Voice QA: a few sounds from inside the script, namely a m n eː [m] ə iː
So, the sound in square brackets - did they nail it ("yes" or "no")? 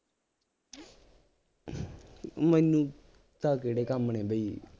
no